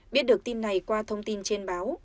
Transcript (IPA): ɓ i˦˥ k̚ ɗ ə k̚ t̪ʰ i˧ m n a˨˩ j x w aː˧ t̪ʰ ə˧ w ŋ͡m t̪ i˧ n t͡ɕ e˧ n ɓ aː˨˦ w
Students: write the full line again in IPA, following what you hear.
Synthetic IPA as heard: ɓ i˦˥ t̚ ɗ ə k̚ t̪ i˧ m n a˨˩ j k w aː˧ t̪ʰ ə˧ w ŋ͡m t̪ i˧ n t͡ɕ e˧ n ɓ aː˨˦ w